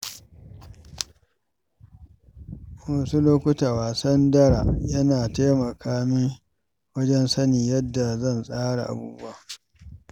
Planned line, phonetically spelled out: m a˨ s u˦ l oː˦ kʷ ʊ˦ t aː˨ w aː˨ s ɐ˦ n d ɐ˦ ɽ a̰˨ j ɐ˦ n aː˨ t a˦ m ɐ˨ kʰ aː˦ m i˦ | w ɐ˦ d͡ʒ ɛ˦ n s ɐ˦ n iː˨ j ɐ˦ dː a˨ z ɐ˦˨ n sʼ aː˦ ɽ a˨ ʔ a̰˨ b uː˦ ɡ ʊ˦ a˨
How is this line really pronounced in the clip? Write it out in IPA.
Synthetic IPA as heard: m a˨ s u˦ l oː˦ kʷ ʊ˦ t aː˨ w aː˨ s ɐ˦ n d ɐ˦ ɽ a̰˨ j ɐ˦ n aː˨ t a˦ m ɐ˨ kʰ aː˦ m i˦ | w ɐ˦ d͡ʒ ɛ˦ n s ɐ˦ n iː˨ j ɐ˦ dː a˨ z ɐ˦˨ n sʼ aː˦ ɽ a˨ ʔ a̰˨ b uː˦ b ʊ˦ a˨